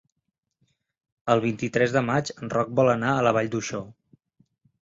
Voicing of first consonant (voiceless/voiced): voiced